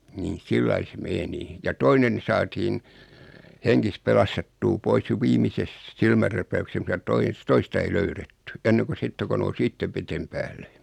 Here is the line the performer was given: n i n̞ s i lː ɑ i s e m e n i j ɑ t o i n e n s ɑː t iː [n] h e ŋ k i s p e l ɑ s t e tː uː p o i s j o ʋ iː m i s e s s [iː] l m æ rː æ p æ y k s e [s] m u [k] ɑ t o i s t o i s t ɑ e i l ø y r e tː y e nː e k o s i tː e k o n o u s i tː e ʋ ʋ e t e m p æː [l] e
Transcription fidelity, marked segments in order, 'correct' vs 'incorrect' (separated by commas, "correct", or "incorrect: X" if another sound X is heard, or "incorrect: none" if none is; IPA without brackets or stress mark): correct, incorrect: i, correct, incorrect: t, incorrect: lː